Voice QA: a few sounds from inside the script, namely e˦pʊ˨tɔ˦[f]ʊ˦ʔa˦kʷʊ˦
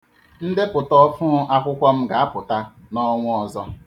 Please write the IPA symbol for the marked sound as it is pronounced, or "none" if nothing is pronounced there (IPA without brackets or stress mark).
f